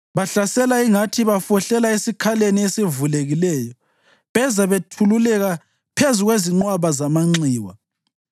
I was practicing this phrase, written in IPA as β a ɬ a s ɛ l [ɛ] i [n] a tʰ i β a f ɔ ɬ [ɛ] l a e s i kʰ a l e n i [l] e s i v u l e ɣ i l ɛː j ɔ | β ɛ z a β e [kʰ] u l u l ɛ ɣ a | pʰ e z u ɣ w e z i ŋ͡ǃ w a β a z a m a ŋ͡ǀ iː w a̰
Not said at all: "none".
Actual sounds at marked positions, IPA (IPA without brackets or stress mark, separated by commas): a, ŋ, ɛ, none, tʰ